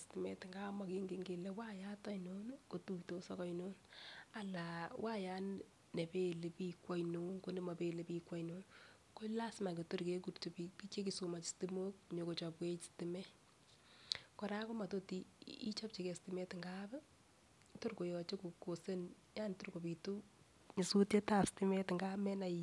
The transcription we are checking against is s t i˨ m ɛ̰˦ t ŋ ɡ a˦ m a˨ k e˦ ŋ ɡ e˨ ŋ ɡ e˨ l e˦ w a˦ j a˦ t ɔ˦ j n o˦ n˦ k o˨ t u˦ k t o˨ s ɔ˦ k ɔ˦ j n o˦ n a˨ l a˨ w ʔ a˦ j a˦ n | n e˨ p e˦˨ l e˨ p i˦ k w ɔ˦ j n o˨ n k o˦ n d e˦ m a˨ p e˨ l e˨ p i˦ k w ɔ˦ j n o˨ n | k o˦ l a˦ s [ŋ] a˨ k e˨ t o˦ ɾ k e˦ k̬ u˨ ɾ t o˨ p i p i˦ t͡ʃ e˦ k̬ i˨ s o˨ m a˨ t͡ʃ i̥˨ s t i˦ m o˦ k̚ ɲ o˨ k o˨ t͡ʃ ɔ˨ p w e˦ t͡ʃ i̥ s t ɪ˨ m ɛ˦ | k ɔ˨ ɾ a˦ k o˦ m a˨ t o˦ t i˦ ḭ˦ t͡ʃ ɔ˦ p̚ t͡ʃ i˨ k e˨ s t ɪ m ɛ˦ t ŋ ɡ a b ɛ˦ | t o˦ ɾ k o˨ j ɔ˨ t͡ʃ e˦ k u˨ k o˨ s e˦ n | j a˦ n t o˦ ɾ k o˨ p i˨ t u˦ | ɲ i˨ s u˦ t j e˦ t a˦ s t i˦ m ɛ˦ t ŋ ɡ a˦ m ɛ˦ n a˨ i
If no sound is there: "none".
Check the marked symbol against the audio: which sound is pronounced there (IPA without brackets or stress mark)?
m